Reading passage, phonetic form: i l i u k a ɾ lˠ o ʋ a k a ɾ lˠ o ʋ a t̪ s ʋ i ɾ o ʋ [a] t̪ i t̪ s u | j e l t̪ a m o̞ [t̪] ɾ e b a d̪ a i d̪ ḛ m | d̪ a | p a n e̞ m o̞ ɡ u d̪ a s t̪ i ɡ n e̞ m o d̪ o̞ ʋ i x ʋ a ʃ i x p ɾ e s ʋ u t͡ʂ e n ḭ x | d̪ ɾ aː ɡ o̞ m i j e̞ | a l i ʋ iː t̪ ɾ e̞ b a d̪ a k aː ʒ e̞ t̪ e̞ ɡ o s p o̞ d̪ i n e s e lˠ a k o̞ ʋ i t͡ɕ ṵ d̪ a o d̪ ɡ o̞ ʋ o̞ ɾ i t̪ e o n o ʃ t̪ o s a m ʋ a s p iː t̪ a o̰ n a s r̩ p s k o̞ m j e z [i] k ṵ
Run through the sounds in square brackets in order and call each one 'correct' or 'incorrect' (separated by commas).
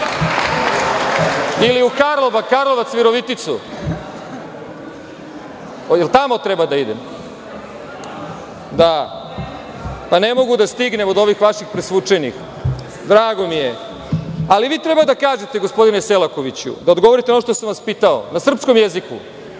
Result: incorrect, correct, correct